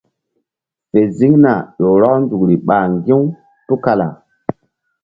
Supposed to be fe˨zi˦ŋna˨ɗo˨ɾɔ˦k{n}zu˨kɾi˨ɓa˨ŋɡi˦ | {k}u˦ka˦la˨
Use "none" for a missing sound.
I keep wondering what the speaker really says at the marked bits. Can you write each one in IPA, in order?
n, t

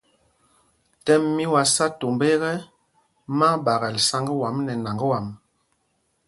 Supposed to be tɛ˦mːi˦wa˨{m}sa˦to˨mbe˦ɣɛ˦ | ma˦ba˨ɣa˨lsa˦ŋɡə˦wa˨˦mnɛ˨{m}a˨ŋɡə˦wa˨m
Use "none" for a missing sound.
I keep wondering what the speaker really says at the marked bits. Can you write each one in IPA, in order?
none, n

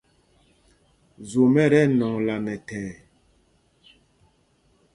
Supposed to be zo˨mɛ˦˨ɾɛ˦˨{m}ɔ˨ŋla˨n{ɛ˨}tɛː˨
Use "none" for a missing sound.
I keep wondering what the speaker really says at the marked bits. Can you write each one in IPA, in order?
n, ɛ˨

